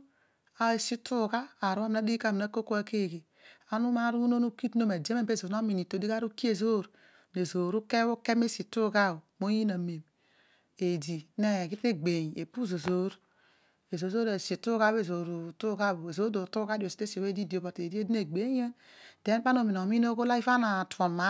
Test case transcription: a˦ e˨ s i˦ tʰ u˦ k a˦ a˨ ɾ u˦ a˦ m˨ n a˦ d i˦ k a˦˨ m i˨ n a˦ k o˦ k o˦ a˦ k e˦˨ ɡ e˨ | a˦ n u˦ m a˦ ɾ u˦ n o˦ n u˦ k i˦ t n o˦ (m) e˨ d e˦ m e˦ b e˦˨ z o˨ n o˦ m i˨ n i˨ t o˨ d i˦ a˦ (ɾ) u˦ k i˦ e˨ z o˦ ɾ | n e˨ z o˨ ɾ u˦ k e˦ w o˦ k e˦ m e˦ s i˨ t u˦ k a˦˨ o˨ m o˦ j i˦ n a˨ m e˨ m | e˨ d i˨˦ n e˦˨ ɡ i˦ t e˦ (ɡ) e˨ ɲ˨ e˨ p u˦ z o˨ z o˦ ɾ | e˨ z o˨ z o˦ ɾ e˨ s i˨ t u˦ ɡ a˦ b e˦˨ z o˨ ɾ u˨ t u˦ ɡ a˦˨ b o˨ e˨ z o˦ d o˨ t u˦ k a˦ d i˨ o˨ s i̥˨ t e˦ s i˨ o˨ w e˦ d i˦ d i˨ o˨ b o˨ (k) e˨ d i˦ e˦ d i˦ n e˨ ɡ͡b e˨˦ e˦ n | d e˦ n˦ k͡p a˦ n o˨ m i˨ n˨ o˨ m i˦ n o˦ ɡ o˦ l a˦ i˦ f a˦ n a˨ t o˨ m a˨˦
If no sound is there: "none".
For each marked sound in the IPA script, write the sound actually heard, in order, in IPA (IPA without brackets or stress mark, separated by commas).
m, ɾ, ɡ͡b, t